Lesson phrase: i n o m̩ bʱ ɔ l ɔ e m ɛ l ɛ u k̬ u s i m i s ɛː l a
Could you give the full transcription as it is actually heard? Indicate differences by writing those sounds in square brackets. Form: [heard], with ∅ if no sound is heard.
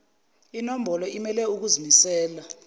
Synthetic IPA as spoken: i n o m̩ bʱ ɔ l ɔ [i] m ɛ l ɛ u k̬ u [z] i m i s ɛː l a